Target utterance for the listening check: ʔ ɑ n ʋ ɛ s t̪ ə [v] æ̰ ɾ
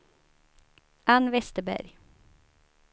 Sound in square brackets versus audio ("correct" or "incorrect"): incorrect